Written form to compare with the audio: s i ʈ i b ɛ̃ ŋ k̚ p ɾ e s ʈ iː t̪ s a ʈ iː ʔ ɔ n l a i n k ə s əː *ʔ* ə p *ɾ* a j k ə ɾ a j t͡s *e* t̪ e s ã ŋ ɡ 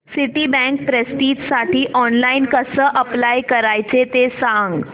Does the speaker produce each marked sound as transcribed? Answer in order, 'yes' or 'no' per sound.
yes, no, yes

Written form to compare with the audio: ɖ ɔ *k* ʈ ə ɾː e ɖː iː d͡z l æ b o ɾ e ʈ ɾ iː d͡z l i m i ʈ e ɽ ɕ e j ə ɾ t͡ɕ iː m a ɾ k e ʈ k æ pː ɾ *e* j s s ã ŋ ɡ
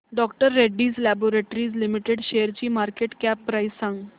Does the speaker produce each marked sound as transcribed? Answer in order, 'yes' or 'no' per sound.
yes, no

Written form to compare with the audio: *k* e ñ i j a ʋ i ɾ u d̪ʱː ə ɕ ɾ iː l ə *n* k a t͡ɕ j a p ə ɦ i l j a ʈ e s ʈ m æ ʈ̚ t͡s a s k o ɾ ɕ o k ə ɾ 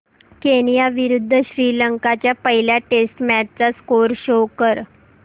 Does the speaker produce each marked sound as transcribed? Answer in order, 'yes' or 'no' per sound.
yes, no

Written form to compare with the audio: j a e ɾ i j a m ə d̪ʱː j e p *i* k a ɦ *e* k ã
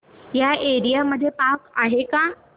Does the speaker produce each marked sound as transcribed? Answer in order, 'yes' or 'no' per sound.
no, yes

